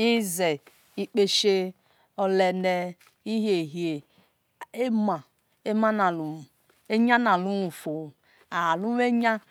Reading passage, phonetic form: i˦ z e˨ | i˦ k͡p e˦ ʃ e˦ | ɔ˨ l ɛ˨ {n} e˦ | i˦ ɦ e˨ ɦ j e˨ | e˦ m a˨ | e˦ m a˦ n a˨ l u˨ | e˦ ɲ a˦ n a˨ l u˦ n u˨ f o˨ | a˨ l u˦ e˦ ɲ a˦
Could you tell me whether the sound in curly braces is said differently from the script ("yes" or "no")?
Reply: no